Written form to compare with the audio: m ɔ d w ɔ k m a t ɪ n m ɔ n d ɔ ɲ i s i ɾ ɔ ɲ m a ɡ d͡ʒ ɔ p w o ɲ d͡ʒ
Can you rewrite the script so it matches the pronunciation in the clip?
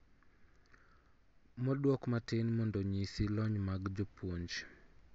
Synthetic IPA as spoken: m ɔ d w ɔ k m a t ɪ n m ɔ n d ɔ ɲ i s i l ɔ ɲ m a ɡ d͡ʒ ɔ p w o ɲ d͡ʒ